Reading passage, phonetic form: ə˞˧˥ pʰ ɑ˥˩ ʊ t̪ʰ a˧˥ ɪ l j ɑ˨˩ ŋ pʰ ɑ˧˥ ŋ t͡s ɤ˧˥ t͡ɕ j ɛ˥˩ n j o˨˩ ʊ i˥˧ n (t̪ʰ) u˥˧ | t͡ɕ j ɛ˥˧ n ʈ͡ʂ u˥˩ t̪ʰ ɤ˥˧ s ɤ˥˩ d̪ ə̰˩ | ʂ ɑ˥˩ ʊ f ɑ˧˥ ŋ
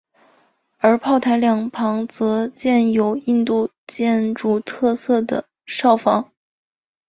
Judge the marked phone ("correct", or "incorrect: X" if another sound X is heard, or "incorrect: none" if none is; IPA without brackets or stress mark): incorrect: t̪